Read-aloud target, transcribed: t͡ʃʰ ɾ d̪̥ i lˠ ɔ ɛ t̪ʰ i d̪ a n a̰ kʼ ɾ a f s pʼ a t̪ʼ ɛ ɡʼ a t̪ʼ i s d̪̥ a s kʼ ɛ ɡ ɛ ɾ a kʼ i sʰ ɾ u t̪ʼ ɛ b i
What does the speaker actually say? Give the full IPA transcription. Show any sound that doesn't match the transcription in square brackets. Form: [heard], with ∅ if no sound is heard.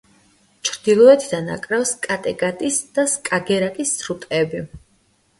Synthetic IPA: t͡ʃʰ ɾ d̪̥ i lˠ ɔ ɛ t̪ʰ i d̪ a n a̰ kʼ ɾ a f s [kʼ] a t̪ʼ ɛ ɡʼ a t̪ʼ i s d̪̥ a s kʼ [a] ɡ ɛ ɾ a kʼ i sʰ ɾ u t̪ʼ ɛ b i